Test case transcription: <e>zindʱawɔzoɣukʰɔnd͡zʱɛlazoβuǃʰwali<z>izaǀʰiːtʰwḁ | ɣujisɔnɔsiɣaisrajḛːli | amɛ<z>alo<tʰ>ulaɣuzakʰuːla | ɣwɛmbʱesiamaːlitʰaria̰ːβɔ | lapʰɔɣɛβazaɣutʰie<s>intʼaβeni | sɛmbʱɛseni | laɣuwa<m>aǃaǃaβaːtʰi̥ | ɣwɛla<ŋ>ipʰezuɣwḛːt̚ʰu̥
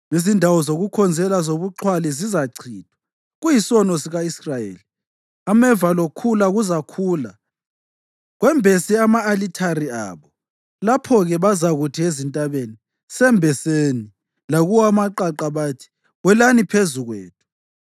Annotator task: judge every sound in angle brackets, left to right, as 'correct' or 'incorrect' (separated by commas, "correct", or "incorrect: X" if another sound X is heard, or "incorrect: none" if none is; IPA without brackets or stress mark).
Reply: incorrect: i, correct, incorrect: v, incorrect: kʰ, incorrect: z, correct, incorrect: n